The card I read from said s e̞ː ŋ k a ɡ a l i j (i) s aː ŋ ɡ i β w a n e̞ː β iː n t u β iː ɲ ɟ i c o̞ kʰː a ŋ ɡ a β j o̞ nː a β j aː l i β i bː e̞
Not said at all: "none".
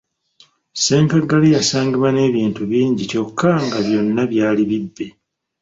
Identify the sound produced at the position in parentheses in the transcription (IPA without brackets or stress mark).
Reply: a